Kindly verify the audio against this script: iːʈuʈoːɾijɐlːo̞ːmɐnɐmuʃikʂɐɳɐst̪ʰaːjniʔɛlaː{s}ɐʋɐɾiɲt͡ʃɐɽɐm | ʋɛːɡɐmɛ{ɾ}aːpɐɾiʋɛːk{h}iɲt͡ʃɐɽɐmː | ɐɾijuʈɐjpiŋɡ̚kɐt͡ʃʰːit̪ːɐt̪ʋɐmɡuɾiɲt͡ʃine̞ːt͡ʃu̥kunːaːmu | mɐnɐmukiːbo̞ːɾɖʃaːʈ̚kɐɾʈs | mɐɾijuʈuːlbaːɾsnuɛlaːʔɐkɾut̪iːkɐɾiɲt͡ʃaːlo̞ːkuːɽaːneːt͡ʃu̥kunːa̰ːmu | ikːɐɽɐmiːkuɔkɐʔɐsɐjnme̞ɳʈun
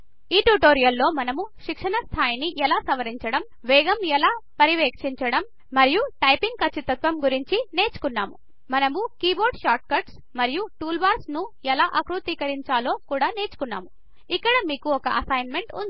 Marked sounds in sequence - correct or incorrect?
correct, incorrect: l, incorrect: ʂ

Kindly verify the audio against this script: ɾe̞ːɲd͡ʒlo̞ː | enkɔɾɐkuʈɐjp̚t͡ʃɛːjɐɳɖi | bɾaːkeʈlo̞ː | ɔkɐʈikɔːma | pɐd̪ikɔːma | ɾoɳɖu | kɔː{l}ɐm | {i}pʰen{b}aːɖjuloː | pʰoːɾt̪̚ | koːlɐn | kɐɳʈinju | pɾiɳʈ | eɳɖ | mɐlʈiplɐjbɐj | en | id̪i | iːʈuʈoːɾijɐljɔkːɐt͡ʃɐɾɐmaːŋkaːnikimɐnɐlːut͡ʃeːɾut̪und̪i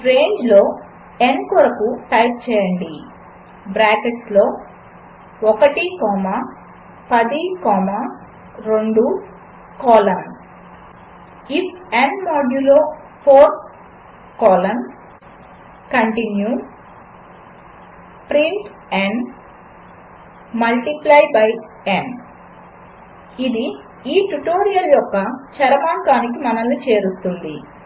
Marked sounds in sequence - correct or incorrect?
correct, correct, incorrect: m

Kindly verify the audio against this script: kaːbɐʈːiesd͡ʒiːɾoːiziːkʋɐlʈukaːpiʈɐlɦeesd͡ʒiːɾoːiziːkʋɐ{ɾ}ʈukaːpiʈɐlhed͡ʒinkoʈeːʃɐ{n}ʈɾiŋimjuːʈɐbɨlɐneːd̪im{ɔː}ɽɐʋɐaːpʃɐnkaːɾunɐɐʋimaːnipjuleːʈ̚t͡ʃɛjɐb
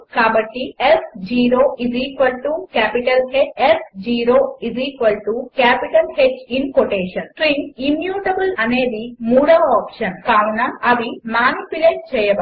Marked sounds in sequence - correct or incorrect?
incorrect: l, correct, incorrect: uː

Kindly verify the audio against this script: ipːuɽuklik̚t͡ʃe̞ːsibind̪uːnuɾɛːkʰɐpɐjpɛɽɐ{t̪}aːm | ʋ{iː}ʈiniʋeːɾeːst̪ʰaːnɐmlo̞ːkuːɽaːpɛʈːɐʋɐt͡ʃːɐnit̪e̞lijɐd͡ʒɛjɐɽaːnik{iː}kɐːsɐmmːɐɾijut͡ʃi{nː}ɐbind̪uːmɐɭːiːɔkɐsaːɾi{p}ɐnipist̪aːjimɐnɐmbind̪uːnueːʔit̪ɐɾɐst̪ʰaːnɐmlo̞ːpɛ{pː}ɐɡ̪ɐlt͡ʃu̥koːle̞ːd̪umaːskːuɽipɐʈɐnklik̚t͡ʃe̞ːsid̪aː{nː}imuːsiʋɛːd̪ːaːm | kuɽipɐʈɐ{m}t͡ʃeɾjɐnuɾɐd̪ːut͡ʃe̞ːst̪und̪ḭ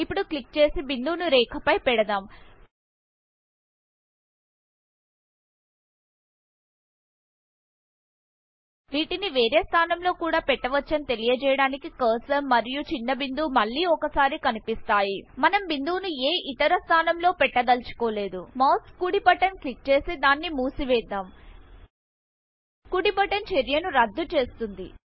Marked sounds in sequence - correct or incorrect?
incorrect: d̪, correct, incorrect: i, correct, incorrect: k, incorrect: ʈː, correct, incorrect: n

